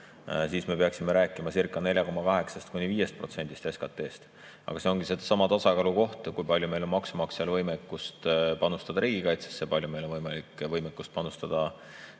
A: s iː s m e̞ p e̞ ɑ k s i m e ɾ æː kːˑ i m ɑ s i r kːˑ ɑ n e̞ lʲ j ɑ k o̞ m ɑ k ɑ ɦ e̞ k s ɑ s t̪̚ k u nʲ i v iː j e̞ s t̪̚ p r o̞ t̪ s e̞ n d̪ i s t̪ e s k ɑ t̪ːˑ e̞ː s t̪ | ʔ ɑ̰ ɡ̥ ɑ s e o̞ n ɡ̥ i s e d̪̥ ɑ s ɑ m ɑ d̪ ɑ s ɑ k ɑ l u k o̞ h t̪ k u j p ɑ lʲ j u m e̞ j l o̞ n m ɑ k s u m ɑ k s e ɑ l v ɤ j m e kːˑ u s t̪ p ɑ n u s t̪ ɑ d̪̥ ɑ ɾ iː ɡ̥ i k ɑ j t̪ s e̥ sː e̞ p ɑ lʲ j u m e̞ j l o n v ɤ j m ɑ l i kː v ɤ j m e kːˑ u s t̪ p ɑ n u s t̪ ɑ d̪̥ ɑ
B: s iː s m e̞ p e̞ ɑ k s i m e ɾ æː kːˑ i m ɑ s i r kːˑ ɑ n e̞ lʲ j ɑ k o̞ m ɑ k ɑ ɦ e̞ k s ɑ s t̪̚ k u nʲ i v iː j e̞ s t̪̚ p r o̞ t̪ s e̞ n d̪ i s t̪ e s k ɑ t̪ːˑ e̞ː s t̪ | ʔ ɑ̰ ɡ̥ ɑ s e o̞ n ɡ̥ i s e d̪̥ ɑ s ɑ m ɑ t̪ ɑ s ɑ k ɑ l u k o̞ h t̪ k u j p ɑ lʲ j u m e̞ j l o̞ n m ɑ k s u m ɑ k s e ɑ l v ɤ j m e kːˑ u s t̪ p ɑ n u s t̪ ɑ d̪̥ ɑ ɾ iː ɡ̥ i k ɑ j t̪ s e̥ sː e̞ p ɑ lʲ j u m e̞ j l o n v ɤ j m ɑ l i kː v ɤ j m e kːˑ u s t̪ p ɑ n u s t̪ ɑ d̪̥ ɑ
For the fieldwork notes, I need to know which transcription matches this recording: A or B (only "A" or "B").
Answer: B